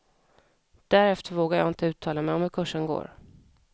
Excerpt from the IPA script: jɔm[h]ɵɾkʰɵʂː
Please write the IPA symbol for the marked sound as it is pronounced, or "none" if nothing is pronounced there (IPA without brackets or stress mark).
h